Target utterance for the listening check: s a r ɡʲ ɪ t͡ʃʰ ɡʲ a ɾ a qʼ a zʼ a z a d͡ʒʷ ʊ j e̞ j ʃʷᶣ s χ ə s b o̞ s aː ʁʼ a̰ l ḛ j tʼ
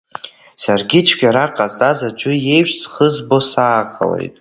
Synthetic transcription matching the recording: s a r ɡʲ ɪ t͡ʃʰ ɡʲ a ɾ a qʼ a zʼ a z a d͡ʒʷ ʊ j e̞ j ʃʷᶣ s χ ə z b o̞ s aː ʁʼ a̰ l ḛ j tʼ